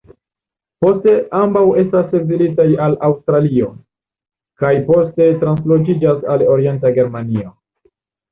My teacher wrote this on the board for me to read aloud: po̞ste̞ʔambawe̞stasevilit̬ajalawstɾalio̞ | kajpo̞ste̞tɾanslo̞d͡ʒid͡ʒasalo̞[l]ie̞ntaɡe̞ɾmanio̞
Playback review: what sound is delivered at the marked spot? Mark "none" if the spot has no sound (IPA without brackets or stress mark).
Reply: ɾ